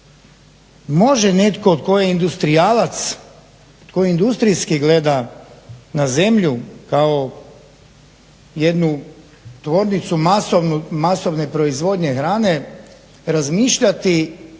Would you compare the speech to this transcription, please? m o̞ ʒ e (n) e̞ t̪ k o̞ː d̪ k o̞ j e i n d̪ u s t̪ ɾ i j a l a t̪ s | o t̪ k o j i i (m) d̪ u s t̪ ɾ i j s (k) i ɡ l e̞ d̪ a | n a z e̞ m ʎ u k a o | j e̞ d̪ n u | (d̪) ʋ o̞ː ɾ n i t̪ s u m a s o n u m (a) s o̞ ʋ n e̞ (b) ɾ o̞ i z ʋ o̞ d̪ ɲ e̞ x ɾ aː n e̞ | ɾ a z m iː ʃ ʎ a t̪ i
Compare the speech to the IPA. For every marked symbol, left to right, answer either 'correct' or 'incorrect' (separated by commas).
correct, incorrect, correct, incorrect, correct, incorrect